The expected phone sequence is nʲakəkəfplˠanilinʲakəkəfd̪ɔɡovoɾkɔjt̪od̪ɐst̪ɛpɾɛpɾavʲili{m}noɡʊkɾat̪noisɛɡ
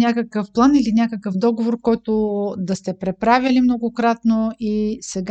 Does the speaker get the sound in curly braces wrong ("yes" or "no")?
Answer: no